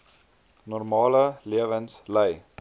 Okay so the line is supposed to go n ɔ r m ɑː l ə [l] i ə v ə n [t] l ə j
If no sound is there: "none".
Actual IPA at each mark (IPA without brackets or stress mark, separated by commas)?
l, s